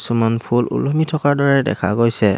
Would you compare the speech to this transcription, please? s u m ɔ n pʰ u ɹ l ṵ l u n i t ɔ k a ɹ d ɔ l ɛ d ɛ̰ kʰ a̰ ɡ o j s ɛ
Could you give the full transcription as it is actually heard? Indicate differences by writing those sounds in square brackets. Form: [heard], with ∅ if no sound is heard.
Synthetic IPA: s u m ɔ n pʰ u [∅] l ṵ l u [m] i [tʰ] ɔ k a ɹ d ɔ [ɹ] ɛ d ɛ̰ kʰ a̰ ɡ o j s ɛ